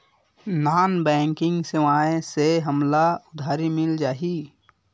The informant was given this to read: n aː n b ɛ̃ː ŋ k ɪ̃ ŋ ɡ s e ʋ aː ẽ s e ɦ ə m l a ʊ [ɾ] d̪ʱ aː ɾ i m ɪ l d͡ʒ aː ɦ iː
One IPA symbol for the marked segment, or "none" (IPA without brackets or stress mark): none